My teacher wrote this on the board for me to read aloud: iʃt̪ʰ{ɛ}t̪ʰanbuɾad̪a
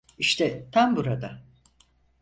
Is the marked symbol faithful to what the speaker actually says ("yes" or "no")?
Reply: yes